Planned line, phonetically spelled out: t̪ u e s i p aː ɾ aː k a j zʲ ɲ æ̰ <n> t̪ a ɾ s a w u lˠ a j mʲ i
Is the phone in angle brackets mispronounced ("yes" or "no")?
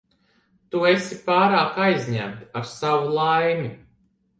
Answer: yes